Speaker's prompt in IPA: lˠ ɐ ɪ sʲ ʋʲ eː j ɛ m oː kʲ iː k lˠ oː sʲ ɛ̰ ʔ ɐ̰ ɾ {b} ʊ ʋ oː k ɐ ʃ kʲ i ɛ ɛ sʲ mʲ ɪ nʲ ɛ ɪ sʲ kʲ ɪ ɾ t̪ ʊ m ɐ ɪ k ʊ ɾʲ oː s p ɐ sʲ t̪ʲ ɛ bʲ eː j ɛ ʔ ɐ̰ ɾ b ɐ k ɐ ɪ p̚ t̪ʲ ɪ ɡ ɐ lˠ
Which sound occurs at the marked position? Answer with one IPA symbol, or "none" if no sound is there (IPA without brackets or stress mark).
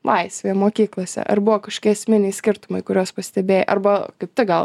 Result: b